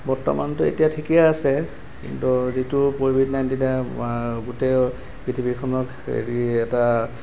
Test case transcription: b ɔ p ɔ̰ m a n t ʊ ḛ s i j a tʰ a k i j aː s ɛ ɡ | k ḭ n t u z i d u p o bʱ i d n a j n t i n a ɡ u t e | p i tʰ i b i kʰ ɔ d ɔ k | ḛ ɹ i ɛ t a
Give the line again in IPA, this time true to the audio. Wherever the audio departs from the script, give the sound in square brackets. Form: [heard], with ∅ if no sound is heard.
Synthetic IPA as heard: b ɔ [t] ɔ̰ m a n t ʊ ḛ [t] i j a tʰ [i] k i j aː s ɛ [∅] | k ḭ n t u z i [t] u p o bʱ i d n a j n t i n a ɡ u t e | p i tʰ i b i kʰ ɔ [n] ɔ k | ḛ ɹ i ɛ t a